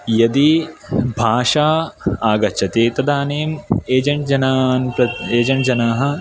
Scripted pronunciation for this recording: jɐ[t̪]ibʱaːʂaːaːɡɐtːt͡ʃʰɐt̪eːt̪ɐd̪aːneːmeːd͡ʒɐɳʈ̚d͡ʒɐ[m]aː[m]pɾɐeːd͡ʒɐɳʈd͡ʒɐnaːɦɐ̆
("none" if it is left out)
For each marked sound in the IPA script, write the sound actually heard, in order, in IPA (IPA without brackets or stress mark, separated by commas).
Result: d̪, n, n